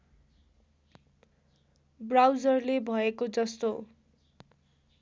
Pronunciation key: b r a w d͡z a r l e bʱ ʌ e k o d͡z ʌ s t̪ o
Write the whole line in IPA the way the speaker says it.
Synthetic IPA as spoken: b r a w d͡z ʌ r l e bʱ ʌ e k o d͡z ʌ s t̪ o